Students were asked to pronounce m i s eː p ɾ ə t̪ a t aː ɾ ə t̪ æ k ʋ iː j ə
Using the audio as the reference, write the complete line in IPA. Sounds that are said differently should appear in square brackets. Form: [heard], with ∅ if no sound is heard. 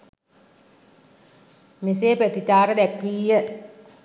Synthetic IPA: m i s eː p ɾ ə t̪ [i] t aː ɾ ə [d̪] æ k ʋ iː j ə